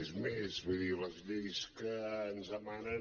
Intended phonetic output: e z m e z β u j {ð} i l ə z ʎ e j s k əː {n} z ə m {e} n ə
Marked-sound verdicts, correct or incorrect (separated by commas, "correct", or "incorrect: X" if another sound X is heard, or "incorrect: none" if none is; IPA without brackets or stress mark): correct, correct, incorrect: a